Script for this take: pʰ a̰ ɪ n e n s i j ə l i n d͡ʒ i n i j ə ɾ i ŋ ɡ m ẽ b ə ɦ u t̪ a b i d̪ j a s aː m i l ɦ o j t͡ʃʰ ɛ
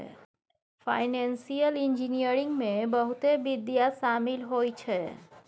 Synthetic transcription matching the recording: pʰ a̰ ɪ n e n s i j ə l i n d͡ʒ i n i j ə ɾ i ŋ ɡ m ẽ b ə ɦ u t̪ e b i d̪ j a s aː m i l ɦ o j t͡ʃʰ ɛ